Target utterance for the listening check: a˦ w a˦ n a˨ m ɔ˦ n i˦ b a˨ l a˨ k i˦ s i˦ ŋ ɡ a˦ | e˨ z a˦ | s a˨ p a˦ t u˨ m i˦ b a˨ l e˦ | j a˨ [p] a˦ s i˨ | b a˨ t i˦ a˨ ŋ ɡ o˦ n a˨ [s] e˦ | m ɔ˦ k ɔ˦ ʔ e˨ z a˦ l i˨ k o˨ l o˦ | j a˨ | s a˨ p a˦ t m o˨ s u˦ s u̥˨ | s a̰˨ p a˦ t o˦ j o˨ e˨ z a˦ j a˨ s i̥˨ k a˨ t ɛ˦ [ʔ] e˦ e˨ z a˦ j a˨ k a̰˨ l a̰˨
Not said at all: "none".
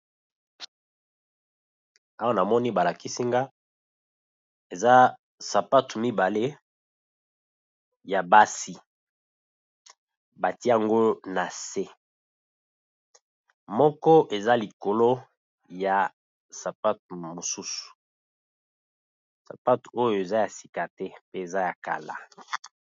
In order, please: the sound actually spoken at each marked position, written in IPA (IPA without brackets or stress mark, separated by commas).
b, s, p